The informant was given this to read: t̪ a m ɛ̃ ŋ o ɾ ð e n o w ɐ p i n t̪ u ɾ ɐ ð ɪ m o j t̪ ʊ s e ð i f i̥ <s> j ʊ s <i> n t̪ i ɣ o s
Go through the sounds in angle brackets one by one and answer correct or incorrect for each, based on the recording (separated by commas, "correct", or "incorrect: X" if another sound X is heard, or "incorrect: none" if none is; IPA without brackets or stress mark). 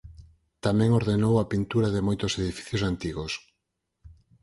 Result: incorrect: θ, incorrect: a